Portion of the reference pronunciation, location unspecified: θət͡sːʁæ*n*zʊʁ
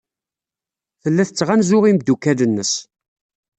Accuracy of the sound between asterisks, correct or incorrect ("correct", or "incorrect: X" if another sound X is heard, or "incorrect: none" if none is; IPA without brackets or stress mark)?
correct